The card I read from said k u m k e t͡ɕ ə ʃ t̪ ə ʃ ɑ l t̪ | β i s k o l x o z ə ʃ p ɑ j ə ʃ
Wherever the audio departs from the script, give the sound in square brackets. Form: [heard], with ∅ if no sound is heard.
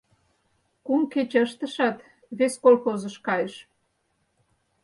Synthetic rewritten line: k u m k e t͡ɕ ə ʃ t̪ ə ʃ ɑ [∅] t̪ | β [e] s k o l x o z ə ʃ [k] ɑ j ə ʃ